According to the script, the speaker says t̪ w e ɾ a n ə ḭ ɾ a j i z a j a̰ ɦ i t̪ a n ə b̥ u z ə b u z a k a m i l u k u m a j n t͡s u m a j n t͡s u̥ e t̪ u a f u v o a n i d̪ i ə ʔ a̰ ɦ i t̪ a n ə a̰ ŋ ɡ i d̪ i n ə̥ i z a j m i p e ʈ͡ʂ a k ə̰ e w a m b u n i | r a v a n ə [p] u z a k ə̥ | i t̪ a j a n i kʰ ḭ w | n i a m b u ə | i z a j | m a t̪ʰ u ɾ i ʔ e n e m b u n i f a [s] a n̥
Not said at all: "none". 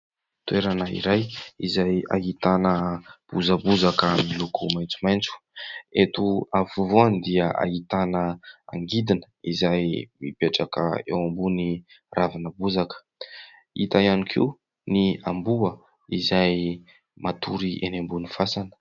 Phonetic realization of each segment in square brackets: b, s

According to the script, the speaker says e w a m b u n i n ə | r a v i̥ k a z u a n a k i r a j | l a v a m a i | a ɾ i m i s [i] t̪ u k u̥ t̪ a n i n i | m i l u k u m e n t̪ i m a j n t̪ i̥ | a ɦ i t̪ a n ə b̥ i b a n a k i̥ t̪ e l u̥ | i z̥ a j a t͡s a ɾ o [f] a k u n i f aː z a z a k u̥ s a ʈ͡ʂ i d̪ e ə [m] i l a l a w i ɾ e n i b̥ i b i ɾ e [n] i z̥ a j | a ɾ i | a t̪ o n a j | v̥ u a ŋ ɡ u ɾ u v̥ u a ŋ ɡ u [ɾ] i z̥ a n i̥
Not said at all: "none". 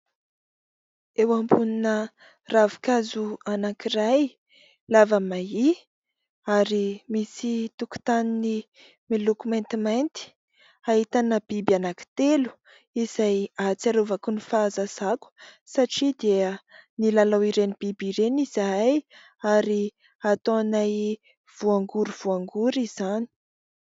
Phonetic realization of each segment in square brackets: i, v, n, n, ɾ

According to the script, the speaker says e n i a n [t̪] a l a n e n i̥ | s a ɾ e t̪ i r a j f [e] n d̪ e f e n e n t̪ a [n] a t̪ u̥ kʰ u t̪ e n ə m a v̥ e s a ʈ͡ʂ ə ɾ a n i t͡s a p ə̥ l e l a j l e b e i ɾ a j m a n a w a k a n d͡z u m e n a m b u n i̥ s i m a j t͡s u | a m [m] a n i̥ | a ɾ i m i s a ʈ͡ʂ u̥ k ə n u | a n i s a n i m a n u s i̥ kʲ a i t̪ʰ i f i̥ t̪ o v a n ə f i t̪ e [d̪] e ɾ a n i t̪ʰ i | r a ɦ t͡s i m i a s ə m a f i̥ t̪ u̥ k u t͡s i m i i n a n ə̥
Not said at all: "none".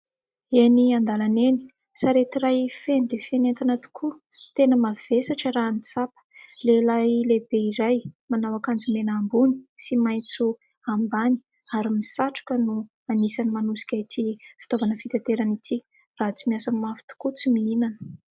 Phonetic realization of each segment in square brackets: d̪, e, n, b, t̪

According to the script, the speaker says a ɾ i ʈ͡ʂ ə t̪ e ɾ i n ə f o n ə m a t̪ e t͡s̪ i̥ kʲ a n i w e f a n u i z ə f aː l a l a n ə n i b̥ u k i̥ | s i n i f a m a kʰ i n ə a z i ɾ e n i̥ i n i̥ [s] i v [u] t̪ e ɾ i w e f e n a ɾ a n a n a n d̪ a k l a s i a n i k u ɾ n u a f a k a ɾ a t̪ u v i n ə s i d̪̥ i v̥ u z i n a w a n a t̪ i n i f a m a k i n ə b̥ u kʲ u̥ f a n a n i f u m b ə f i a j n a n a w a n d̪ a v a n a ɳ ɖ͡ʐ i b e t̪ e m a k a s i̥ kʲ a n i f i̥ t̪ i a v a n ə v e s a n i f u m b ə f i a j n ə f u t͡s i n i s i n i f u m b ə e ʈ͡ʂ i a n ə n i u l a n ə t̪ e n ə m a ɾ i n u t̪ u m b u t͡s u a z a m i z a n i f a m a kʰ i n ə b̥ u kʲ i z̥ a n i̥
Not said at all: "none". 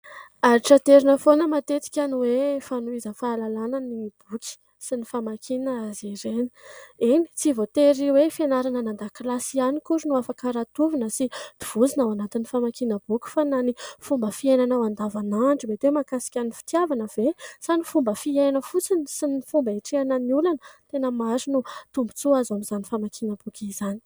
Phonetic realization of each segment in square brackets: t͡s, o

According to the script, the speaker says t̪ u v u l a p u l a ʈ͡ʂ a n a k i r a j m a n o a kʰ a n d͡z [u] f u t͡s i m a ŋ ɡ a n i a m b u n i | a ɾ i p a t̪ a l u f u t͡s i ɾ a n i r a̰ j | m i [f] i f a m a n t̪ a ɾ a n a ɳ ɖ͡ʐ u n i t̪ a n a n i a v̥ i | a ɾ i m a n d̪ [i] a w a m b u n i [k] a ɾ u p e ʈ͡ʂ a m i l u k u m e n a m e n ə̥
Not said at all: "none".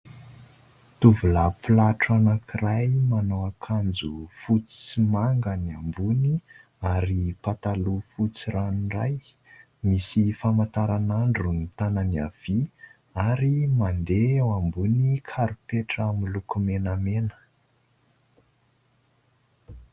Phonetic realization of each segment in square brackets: u, s, e, kʰ

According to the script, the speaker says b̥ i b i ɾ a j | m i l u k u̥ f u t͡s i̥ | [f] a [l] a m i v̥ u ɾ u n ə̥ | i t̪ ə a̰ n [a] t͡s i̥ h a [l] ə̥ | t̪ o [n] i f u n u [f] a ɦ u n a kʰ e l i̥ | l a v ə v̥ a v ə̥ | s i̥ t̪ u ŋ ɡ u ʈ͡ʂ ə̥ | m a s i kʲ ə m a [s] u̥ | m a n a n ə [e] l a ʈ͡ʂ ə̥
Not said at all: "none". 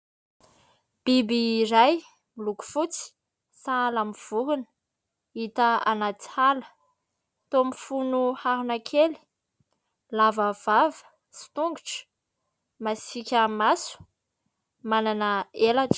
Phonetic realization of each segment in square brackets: s, l, a, l, m, h, s, e

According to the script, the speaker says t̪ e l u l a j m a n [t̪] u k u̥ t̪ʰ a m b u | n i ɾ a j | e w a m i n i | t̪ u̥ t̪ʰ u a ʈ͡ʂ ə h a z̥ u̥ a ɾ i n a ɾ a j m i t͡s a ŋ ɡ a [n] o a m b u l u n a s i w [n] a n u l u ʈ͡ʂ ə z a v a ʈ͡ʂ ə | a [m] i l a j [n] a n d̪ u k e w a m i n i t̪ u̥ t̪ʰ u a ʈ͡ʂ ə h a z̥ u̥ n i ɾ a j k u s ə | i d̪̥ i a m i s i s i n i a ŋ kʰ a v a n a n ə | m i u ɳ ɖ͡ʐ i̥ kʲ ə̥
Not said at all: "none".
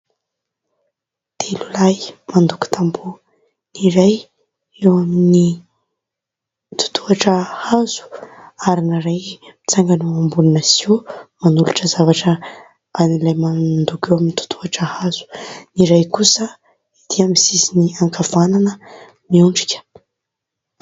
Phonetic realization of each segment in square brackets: d̪, n, m, n, m

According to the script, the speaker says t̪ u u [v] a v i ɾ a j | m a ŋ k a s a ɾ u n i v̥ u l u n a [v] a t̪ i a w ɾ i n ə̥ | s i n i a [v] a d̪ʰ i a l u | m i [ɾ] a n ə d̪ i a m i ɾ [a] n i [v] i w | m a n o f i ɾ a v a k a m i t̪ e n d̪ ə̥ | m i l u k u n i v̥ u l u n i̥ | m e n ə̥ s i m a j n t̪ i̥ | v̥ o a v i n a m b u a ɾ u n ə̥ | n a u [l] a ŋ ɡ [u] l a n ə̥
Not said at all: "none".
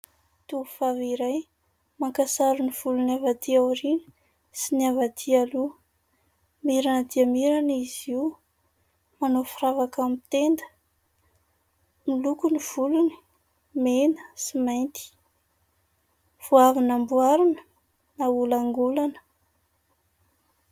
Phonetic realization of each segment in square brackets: f, v, v, ɾ, a, z, l, u

